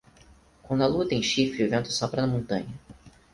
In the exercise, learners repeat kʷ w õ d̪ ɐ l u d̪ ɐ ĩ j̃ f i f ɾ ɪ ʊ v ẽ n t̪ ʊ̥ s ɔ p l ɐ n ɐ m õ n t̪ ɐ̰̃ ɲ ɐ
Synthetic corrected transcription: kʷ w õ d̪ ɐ l u t̪ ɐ ẽ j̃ ʃ i f ɾ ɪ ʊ v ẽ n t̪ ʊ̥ s ɔ p ɾ ɐ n ɐ m õ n t̪ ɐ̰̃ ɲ ɐ

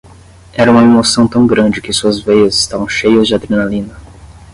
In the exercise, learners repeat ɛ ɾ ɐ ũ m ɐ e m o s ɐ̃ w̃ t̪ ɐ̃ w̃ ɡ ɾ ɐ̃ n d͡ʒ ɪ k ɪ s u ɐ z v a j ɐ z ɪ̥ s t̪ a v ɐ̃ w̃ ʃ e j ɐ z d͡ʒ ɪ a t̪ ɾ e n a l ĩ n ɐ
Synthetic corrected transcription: ɛ ɾ ɐ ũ m ɐ e m o s ɐ̃ w̃ t̪ ɐ̃ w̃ ɡ ɾ ɐ̃ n d͡ʒ ɪ k ɪ s u ɐ z v e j ɐ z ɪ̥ s t̪ a v ɐ̃ w̃ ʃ e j ɐ z d͡ʒ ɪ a d̪ ɾ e n a l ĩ n ɐ

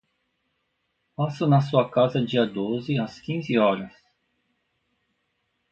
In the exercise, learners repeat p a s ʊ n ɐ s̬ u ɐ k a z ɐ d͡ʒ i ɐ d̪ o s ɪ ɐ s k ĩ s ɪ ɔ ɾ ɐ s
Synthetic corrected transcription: p a s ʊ n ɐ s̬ u ɐ k a z ɐ d͡ʒ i ɐ d̪ o z ɪ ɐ s k ĩ z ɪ ɔ ɾ ɐ s

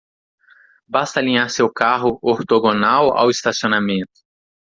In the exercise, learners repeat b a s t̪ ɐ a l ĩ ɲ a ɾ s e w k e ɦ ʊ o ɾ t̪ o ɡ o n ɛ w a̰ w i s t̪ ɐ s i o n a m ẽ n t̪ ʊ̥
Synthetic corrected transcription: b a s t̪ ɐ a l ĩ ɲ a ɾ s e w k a ɦ ʊ o ɾ t̪ o ɡ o n a w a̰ w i s t̪ a s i o n a m ẽ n t̪ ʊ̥

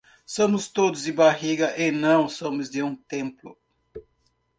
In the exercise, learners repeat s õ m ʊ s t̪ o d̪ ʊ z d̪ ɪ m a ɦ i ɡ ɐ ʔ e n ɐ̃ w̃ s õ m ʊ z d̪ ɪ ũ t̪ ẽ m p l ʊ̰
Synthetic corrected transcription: s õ m ʊ s t̪ o d̪ ʊ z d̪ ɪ b a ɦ i ɡ ɐ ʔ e n ɐ̃ w̃ s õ m ʊ z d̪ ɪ ũ t̪ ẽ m p l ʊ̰

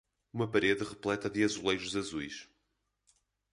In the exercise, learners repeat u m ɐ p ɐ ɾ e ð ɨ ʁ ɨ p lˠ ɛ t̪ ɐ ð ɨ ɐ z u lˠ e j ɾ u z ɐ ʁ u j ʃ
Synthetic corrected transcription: u m ɐ p ɐ ɾ e ð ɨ ʁ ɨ p lˠ ɛ t̪ ɐ ð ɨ ɐ z u lˠ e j ɾ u z ɐ z u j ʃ

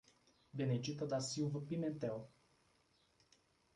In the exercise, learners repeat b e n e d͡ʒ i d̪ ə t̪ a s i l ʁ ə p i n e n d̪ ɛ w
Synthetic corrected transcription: b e n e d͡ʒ i t̪ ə d̪ a s i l v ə p i m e n t̪ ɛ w

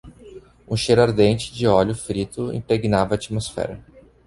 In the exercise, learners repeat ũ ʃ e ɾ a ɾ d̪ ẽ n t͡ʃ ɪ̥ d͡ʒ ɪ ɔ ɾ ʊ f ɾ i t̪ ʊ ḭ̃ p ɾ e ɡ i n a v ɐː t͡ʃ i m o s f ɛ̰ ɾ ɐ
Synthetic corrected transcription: ũ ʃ e ɾ a ɾ d̪ ẽ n t͡ʃ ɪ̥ d͡ʒ ɪ ɔ ʎ ʊ f ɾ i t̪ ʊ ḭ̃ p ɾ e ɡ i n a v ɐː t͡ʃ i m o s f ɛ̰ ɾ ɐ

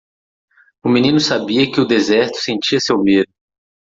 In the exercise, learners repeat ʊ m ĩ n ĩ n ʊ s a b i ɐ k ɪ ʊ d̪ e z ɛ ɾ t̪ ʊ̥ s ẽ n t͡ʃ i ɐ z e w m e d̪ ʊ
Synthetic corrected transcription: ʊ m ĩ n ĩ n ʊ s a b i ɐ k ɪ ʊ d̪ e z ɛ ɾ t̪ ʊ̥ s ẽ n t͡ʃ i ɐ s e w m e d̪ ʊ

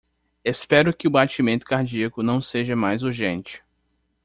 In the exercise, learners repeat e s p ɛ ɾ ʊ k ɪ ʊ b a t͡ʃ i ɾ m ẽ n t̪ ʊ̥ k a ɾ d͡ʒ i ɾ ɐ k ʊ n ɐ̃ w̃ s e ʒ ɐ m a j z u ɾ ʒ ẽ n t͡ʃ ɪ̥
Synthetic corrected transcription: e s p ɛ ɾ ʊ k ɪ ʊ b a t͡ʃ i m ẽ n t̪ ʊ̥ k a ɾ d͡ʒ i ɐ k ʊ n ɐ̃ w̃ s e ʒ ɐ m a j z u ɾ ʒ ẽ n t͡ʃ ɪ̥

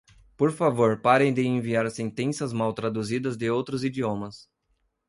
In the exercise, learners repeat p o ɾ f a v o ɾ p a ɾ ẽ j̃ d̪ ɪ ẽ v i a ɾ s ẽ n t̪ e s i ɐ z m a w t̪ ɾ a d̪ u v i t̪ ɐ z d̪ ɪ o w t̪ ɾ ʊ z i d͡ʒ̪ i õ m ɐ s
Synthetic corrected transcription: p o ɾ f a v o ɾ p a ɾ ẽ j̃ d̪ ɪ ẽ v i a ɾ s ẽ n t̪ ẽ s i ɐ z m a w t̪ ɾ a d̪ u z i d̪ ɐ z d̪ ɪ o w t̪ ɾ ʊ z i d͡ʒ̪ i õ m ɐ s

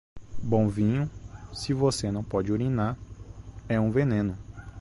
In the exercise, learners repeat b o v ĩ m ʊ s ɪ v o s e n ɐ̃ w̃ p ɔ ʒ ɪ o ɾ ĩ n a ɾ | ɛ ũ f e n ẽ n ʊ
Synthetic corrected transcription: b õ v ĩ ɲ ʊ s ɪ v o s e n ɐ̃ w̃ p ɔ d͡ʒ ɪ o ɾ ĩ n a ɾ | ɛ ũ v e n ẽ n ʊ

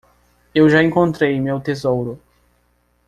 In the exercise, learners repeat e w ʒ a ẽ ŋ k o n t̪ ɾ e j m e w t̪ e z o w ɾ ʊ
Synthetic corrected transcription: e w ʒ a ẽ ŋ k õ n t̪ ɾ e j m e w t̪ e z o w ɾ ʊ

